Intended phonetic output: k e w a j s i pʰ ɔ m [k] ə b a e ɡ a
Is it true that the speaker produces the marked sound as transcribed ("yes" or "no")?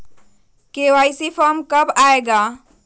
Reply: yes